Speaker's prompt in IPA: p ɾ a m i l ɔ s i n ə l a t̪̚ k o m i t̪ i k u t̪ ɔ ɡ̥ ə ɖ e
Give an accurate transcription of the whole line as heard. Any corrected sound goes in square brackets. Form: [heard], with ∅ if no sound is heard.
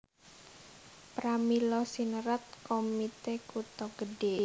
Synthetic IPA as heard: p ɾ a m i l ɔ s i n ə [ɾ] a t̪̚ k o m i t̪ [e] k u t̪ ɔ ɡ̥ ə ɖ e